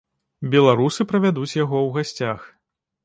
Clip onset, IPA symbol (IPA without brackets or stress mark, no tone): bʲ